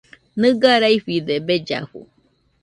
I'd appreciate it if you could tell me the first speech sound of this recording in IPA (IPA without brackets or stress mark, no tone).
n